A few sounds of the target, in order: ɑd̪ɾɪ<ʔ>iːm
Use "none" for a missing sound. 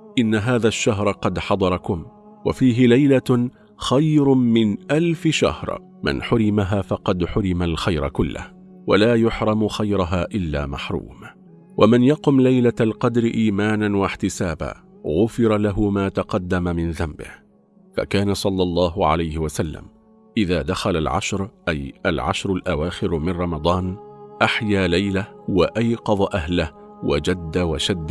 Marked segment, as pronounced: ʔ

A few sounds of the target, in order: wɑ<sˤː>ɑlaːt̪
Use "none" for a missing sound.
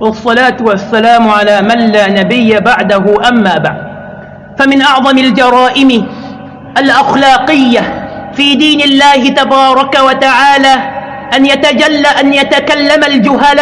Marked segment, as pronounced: sˤː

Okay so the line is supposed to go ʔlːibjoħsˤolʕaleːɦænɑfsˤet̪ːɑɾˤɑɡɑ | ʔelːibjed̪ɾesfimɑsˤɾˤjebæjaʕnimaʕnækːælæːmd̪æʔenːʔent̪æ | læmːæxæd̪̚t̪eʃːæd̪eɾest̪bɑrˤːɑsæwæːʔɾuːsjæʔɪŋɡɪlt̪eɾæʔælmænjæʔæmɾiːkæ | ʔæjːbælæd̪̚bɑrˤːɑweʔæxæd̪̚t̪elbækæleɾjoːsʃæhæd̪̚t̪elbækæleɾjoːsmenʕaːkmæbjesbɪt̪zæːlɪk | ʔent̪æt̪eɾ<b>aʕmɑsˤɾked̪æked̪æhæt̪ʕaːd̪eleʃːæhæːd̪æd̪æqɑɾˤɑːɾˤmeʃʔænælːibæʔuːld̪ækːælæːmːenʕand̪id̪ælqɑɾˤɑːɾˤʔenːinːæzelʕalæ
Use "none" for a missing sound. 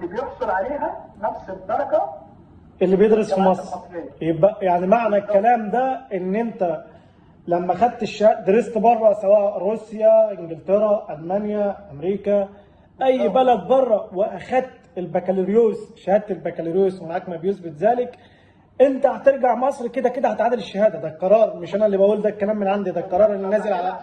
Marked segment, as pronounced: ɡ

